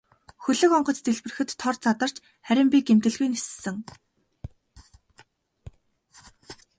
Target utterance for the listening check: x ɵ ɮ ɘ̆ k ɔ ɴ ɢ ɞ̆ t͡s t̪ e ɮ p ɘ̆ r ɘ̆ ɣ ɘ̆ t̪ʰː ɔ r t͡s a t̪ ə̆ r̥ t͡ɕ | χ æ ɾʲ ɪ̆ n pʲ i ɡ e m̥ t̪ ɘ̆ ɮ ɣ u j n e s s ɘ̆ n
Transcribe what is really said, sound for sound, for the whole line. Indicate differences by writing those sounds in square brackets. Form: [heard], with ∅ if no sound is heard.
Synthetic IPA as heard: x ɵ ɮ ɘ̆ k ɔ ɴ ɢ ɞ̆ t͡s t̪ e ɮ p ɘ̆ r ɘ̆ [x] ɘ̆ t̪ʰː ɔ r t͡s a t̪ ə̆ r̥ t͡ɕ | χ æ ɾʲ ɪ̆ [m] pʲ i ɡ e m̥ t̪ ɘ̆ ɮ ɣ u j n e s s ɘ̆ [ŋ]